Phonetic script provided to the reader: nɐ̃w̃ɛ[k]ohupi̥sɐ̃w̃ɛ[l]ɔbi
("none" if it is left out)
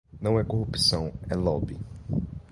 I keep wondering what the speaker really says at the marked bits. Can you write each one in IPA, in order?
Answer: k, l

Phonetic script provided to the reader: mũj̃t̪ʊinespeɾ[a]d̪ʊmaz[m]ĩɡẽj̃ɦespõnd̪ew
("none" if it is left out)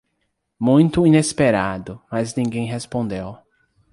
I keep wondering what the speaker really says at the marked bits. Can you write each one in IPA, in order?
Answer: a, n

